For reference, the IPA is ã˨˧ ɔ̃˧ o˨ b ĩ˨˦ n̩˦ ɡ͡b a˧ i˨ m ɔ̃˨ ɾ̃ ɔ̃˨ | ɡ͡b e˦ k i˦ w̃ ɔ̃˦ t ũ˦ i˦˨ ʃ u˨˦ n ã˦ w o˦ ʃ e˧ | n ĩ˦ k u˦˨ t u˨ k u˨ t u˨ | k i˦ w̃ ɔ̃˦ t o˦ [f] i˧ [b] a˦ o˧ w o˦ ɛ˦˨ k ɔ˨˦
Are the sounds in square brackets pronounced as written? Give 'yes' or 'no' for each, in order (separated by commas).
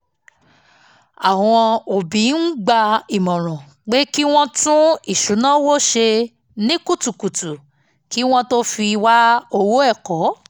yes, no